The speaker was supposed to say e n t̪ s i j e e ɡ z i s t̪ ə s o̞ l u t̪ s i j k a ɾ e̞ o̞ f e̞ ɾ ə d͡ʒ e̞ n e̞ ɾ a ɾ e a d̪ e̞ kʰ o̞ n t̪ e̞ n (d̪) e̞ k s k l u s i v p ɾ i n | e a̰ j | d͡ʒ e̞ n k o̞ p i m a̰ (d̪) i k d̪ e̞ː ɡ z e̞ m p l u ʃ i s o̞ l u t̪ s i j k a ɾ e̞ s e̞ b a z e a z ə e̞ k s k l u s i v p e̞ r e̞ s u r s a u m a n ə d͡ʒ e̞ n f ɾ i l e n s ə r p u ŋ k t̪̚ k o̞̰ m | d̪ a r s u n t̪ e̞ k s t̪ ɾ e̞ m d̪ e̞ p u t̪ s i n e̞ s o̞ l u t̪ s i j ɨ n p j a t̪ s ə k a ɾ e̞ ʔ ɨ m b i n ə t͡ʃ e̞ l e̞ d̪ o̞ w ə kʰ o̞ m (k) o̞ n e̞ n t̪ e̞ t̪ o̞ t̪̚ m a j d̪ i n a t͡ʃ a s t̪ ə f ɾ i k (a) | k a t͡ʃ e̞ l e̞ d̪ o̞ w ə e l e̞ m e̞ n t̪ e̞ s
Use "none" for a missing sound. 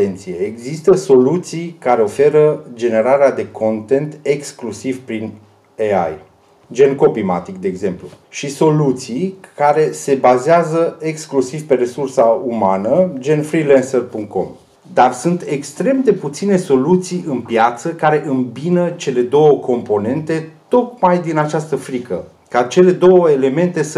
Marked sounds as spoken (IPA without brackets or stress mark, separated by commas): t̪, t̪, p, ə